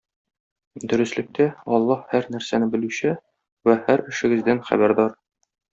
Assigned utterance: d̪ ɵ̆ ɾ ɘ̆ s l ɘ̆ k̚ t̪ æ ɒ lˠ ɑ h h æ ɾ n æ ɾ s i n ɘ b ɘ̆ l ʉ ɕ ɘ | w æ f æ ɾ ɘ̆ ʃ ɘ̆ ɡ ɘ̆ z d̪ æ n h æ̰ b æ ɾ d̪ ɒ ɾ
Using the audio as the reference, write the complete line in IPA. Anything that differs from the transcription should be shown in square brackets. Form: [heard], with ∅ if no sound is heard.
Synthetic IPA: d̪ ɵ̆ ɾ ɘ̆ s l ɘ̆ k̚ t̪ æ ɒ [lˠː] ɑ h h æ ɾ n æ ɾ s [æ] n ɘ b ɘ̆ l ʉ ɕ ɘ | w æ [h] æ ɾ ɘ̆ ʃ ɘ̆ ɡ ɘ̆ z d̪ æ n [χ] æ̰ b æ ɾ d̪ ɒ ɾ